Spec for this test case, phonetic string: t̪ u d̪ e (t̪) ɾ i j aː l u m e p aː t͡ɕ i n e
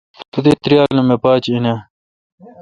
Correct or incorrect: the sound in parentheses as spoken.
correct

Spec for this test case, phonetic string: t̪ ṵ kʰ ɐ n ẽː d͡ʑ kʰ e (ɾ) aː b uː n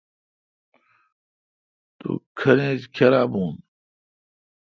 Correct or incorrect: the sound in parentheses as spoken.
correct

